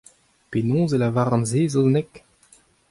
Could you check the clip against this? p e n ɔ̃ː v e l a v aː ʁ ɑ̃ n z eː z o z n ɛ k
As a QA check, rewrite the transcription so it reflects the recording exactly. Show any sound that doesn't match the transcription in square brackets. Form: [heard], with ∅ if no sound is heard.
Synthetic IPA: p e n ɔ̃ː [z] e l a v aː ʁ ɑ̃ n z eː z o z n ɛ k